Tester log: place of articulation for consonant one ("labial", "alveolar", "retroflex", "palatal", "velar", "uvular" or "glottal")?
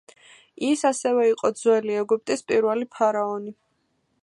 alveolar